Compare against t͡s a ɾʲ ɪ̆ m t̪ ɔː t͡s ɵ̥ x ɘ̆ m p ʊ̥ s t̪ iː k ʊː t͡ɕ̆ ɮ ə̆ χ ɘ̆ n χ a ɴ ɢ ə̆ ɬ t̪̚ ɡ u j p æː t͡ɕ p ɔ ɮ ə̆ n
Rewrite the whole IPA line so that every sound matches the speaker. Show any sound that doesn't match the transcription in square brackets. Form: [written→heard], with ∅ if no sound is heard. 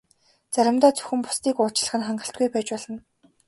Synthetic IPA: t͡s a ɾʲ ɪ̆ m t̪ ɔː t͡s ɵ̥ x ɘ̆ m p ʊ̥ s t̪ iː k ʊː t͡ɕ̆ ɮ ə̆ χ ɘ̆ n χ a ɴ ɢ ə̆ ɬ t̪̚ ɡ u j p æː t͡ɕ p ɔ ɮ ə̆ n

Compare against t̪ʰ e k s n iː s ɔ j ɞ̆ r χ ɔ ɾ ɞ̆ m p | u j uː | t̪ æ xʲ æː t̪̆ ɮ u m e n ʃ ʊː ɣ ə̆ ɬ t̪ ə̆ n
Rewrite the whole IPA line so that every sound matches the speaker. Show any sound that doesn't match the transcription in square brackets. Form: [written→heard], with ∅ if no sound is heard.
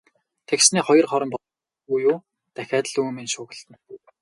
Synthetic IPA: t̪ʰ e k s n iː [s→χ] ɔ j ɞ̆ r χ ɔ ɾ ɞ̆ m p | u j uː | t̪ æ xʲ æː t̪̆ ɮ u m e n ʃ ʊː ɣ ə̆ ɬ t̪ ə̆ n

